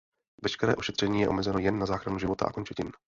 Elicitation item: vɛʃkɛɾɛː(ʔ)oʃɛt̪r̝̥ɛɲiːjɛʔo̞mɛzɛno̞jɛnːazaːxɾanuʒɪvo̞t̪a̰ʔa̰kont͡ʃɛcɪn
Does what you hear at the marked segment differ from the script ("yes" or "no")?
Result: no